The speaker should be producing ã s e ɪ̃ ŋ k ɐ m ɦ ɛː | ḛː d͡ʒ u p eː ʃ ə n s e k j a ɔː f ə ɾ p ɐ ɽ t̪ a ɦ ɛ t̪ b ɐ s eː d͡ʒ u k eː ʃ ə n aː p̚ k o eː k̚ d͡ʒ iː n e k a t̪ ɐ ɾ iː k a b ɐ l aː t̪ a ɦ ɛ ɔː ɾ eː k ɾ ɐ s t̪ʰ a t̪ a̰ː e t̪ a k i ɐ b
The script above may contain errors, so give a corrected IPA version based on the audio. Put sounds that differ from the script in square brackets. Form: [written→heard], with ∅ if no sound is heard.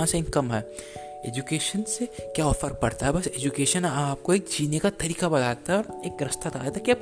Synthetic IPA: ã s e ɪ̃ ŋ k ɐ m ɦ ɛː | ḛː d͡ʒ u [p→k] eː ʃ ə n s e k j a ɔː f ə ɾ p ɐ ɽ t̪ a ɦ ɛ [t̪→∅] b ɐ s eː d͡ʒ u k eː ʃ ə n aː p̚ k o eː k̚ d͡ʒ iː n e k a t̪ ɐ ɾ iː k a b ɐ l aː t̪ a ɦ ɛ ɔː ɾ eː k ɾ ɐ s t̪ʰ a t̪ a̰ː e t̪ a k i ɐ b